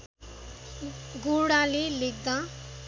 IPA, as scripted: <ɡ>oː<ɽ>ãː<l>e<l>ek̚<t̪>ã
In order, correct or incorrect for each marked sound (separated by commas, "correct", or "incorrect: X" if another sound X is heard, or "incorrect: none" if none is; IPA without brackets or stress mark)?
correct, correct, correct, correct, incorrect: d̪